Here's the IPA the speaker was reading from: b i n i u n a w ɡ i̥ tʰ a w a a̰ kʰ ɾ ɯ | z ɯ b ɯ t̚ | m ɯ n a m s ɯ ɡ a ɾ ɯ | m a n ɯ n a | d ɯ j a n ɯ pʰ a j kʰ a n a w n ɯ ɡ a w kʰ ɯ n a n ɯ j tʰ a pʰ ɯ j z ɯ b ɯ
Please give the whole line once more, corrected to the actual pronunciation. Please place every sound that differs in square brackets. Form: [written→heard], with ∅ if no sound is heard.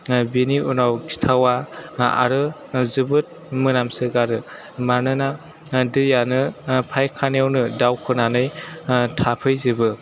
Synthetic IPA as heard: b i n i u n a w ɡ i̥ tʰ a w a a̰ [kʰ→∅] ɾ ɯ | z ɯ b ɯ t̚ | m ɯ n a m s ɯ ɡ a ɾ ɯ | m a n ɯ n a | d ɯ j a n ɯ pʰ a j kʰ a n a w n ɯ [ɡ→d] a w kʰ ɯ n a n ɯ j tʰ a pʰ ɯ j z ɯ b ɯ